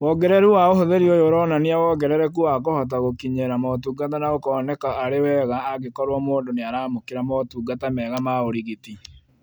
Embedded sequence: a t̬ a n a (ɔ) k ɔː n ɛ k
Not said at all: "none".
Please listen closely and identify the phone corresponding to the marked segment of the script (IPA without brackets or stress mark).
o